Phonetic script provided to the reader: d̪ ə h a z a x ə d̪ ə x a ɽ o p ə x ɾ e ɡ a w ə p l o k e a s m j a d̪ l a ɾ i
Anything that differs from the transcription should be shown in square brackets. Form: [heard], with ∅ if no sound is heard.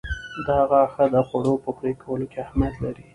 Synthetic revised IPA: d̪ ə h a [ɣ] a x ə d̪ ə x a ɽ o p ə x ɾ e [k] a w ə [∅] l o k e a [h] m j a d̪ l a ɾ i